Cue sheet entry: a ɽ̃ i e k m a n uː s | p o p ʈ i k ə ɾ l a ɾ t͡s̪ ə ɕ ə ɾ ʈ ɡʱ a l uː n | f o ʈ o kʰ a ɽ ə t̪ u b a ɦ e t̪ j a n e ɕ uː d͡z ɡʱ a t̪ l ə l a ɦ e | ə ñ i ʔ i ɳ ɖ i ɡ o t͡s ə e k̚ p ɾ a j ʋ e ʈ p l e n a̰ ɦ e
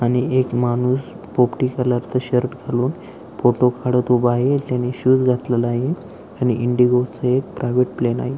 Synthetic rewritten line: a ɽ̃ i e k m a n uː s | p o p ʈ i k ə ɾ l a ɾ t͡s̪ ə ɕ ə ɾ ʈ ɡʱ a l uː n | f o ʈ o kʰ a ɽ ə t̪ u b a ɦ e t̪ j a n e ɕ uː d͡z ɡʱ a t̪ l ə l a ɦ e | a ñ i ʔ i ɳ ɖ i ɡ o t͡s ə e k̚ p ɾ a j ʋ e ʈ p l e n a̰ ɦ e